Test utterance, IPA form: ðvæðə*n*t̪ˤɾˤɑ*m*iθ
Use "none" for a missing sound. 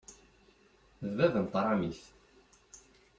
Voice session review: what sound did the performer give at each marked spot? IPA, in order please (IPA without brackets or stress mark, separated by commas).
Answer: n, m